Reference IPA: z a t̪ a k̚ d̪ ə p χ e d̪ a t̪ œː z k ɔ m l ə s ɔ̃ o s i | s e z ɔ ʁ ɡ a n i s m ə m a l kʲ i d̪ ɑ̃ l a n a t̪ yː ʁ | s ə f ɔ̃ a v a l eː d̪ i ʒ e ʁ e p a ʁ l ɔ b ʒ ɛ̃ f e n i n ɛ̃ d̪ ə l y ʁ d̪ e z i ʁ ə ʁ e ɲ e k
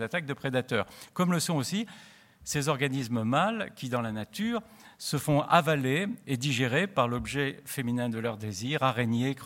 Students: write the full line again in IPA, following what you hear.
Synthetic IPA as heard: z a t̪ a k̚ d̪ ə p χ e d̪ a t̪ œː ʁ k ɔ m l ə s ɔ̃ o s i | s e z ɔ ʁ ɡ a n i s m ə m a l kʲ i d̪ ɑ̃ l a n a t̪ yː ʁ | s ə f ɔ̃ a v a l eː d̪ i ʒ e ʁ e p a ʁ l ɔ b ʒ ɛ f e m i n ɛ̃ d̪ ə l œ ʁ d̪ e z i ʁ a ʁ e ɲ e k